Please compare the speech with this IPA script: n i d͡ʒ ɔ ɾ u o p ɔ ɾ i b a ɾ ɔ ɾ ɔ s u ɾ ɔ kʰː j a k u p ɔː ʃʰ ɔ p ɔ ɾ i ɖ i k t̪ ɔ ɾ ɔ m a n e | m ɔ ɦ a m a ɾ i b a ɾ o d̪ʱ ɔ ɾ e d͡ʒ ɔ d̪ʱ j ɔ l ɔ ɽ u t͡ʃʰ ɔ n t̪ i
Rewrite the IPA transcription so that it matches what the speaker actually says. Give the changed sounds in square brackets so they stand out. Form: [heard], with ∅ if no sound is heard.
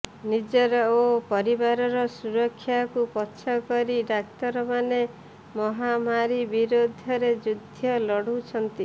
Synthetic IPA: n i d͡ʒ ɔ ɾ [ɔ] o p ɔ ɾ i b a ɾ ɔ ɾ ɔ s u ɾ ɔ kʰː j a k u p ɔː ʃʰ ɔ [k] ɔ ɾ i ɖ [a] k t̪ ɔ ɾ ɔ m a n e | m ɔ ɦ a m a ɾ i b [i] ɾ o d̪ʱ ɔ ɾ e d͡ʒ [u] d̪ʱ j ɔ l ɔ ɽ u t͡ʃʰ ɔ n t̪ i